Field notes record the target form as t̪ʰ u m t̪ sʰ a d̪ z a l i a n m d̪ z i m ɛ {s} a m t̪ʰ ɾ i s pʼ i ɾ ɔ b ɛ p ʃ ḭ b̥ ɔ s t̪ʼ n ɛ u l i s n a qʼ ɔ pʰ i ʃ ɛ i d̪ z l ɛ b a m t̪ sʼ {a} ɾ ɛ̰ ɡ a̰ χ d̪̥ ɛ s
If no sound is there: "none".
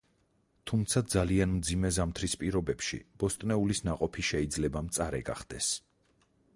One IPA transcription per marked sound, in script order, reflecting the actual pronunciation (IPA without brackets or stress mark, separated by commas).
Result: z, a